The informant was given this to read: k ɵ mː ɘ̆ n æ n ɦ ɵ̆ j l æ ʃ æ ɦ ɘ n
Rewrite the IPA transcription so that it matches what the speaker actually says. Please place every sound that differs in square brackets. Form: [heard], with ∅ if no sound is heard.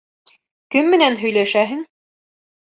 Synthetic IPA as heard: k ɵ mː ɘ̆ n æ n ɦ ɵ̆ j l æ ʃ æ ɦ ɘ [ŋ]